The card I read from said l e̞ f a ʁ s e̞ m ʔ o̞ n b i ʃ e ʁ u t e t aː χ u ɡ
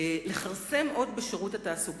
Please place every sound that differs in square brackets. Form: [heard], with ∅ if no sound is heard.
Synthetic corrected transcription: l e̞ [χ] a ʁ s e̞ m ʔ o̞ [d] b [e] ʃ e ʁ u t [a] t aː [s] u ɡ